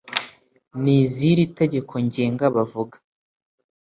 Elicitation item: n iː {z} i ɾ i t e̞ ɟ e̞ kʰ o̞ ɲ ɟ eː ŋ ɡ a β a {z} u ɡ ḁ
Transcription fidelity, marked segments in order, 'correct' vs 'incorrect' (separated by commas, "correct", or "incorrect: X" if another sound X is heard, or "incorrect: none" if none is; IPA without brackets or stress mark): correct, incorrect: v